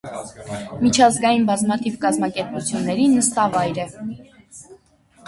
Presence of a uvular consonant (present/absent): absent